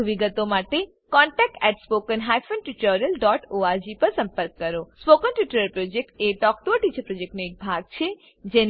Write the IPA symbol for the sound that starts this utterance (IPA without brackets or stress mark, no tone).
ʋ